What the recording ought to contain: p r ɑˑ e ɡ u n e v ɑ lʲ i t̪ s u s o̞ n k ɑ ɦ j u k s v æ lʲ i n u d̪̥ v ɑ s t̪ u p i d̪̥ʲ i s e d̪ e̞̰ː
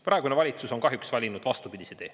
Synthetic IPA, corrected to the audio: p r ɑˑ e ɡ u n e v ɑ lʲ i t̪ s u s o̞ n k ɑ ɦ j u k s v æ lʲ i n u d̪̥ v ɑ s t̪ u p i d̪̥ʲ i s e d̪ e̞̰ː